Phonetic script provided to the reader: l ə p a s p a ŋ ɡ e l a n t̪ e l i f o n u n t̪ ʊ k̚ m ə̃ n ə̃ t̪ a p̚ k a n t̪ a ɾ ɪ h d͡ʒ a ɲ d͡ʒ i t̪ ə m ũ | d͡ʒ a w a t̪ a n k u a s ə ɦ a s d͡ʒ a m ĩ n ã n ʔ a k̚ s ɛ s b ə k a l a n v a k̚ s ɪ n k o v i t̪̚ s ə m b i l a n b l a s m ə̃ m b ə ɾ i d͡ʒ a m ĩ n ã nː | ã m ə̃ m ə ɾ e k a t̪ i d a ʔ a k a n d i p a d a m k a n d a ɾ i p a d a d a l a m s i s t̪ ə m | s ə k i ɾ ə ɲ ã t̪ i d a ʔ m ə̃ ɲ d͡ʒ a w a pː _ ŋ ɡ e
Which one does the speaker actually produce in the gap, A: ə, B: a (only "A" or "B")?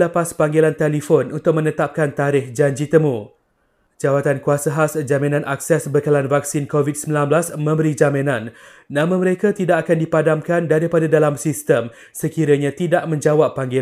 B